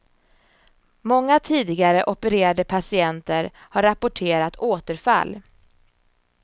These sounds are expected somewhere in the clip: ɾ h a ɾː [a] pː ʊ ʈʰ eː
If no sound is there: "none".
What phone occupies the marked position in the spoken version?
a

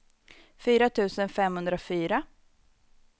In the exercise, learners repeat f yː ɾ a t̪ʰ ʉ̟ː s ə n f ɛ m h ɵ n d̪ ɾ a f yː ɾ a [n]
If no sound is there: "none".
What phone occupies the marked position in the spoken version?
none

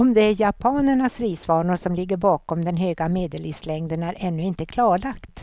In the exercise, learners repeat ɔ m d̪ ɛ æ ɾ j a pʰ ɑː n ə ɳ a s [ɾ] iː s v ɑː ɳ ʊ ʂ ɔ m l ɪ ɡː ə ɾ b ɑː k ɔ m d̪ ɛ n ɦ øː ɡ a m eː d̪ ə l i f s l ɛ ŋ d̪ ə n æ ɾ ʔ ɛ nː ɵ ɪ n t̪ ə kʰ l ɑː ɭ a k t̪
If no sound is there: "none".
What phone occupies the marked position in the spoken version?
ɾ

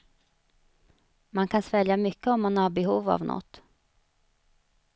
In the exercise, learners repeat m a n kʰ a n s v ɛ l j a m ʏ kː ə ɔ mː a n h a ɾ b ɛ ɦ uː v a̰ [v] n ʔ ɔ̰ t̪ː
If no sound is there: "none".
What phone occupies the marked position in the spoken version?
v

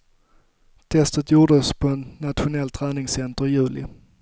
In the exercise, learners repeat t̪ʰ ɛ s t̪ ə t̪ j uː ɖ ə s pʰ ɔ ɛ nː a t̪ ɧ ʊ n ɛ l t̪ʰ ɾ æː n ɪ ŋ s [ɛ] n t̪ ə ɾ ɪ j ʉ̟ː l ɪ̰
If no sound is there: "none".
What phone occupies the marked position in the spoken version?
ɛ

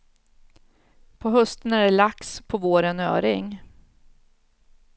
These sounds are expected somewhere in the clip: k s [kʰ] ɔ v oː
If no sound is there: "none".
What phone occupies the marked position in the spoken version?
pʰ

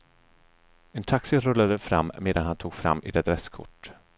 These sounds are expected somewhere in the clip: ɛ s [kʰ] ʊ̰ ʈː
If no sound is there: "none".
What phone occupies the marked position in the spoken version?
kʰ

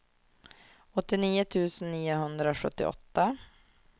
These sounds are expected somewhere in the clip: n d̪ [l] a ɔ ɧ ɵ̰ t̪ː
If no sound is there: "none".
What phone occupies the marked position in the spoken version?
ɾ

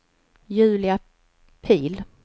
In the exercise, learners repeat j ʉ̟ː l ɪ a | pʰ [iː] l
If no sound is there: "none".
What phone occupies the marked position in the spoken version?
iː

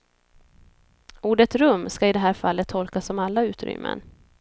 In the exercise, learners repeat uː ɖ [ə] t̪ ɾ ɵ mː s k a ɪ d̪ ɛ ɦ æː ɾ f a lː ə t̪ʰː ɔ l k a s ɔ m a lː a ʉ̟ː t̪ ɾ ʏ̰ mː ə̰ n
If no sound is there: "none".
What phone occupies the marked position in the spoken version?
ə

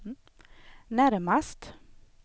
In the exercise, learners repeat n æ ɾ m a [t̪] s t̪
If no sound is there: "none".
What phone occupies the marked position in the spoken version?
none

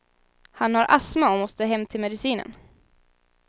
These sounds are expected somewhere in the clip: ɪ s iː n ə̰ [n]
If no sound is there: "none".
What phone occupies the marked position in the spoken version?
n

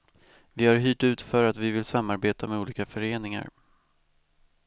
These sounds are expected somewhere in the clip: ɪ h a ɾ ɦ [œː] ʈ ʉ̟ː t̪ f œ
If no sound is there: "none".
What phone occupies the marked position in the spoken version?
yː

